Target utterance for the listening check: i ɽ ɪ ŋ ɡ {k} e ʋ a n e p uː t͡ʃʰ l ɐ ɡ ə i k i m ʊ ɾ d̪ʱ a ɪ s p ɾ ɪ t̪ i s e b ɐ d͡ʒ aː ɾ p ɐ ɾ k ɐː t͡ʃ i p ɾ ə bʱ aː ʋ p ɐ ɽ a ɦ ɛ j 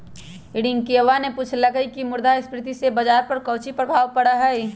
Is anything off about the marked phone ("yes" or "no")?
no